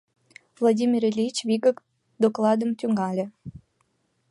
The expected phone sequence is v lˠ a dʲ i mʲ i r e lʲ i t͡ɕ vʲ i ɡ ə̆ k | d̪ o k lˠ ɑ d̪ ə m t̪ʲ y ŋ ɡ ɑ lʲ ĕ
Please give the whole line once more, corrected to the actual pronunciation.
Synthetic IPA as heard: v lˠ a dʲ i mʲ i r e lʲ i t͡ɕ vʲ i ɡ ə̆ k | d̪ o k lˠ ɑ d̪ ə m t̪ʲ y ŋ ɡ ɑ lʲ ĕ